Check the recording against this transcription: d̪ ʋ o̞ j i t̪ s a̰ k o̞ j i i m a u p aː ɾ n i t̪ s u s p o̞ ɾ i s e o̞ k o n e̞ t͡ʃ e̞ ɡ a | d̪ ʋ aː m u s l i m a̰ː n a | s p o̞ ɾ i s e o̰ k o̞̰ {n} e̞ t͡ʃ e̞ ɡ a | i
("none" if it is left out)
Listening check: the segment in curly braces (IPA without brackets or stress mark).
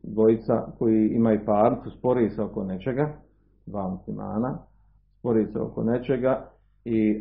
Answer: n